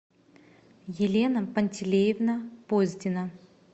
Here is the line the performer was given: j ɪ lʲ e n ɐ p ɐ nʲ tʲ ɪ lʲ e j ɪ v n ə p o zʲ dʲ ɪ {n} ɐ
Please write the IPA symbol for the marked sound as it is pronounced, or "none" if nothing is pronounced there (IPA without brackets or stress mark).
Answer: n